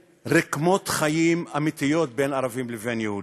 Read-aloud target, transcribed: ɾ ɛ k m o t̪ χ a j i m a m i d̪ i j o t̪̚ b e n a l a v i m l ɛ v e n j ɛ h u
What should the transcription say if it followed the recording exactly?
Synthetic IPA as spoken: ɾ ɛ k m o t̪ χ a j i m a m i t̪ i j o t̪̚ b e n a ɾ a v i m l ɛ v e n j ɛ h u